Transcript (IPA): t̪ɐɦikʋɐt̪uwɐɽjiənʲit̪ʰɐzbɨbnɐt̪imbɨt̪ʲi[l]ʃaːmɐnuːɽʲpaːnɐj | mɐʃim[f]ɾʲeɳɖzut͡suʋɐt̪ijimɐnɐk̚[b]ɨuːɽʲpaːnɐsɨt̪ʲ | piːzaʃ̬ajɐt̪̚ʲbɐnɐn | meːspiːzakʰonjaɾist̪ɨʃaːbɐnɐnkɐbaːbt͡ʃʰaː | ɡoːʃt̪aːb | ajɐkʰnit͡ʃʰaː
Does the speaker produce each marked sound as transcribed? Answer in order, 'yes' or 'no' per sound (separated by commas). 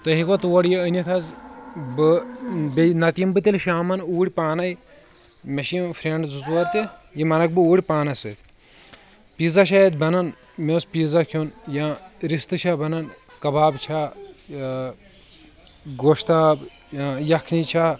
yes, yes, yes